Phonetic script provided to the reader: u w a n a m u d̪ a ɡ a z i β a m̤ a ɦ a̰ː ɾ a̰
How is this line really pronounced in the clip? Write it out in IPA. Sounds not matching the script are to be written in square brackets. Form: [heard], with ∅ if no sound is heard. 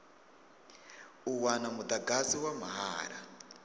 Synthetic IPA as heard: u w a n a m u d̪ a ɡ a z i [w] a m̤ a ɦ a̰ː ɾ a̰